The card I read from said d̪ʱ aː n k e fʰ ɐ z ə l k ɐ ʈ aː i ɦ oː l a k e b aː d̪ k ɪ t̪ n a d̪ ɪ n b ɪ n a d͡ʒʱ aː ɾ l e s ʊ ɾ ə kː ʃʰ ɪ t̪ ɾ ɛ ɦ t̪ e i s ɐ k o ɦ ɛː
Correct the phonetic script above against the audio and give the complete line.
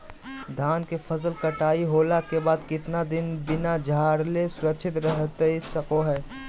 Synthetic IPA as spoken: d̪ʱ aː n k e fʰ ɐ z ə l k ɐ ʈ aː i ɦ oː l a k e b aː d̪ k ɪ t̪ n a d̪ ɪ n b ɪ n a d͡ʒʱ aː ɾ l e s ʊ ɾ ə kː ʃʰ ɪ t̪ ɾ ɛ ɦ t̪ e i s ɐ k o ɦ ɛː